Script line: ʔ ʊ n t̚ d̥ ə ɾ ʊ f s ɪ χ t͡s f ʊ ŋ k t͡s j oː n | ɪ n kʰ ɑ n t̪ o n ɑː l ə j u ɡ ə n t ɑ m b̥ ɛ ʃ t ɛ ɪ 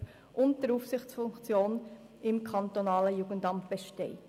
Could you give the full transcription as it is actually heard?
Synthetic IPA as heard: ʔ ʊ n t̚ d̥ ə ɾ u f s ɪ χ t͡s f ʊ ŋ k t͡s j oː n | ɪ m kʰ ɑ n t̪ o n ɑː l ə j u ɡ ə n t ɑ m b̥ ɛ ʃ t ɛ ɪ